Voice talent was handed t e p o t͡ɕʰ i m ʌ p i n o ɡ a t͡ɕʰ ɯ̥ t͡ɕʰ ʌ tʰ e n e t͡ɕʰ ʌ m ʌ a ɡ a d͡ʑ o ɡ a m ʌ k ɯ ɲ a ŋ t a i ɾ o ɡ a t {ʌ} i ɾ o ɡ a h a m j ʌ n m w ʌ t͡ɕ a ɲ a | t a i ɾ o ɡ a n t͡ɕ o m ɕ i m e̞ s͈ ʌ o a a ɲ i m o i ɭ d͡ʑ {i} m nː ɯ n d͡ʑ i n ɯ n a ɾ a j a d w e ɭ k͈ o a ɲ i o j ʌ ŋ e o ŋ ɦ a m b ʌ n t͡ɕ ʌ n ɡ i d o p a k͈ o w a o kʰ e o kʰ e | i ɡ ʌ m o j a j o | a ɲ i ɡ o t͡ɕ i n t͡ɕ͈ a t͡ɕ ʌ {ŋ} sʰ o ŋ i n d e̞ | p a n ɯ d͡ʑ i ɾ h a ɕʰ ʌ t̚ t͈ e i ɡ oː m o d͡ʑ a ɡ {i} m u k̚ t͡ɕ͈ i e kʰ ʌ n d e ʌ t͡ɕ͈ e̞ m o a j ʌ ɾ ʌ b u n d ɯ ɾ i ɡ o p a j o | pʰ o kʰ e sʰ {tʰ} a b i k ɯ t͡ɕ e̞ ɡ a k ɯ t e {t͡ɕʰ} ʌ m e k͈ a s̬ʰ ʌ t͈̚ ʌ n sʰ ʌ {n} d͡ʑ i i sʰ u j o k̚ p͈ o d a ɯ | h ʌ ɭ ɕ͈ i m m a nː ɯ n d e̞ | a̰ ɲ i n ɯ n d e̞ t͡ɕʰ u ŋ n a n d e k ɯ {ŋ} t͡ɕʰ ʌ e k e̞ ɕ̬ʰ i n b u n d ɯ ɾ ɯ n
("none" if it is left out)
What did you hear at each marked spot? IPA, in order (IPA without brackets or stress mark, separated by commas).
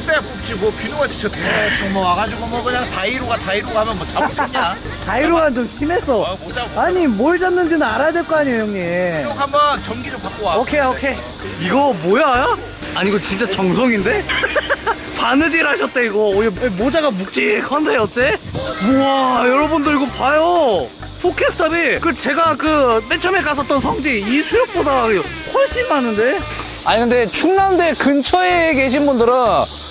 a, a, ŋ, a, tʰ, t͡ɕʰ, ŋ, n